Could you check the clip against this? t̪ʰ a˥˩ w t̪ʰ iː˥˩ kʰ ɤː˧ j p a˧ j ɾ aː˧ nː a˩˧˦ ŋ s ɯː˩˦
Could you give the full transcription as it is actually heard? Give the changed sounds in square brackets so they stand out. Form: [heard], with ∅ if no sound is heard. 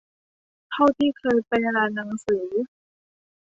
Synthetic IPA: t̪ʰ a˥˩ w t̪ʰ iː˥˩ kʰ ɤː˧ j p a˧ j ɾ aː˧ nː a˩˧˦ ŋ s ɯː˩˦